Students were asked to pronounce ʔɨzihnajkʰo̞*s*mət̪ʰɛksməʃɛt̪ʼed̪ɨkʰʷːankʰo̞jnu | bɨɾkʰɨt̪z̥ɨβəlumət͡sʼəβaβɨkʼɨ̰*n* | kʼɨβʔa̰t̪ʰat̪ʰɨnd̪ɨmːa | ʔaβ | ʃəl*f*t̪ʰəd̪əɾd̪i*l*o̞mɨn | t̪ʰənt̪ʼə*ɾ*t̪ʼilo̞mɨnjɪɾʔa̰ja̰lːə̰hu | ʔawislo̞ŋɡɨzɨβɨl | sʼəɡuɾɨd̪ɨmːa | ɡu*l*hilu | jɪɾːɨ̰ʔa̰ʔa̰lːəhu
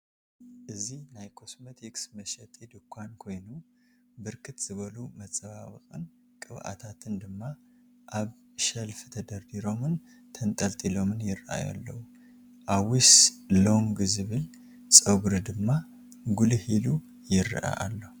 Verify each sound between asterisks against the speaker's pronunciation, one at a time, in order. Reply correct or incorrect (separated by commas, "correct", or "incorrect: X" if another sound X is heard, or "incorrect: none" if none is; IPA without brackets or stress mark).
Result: correct, correct, correct, incorrect: ɾ, incorrect: l, correct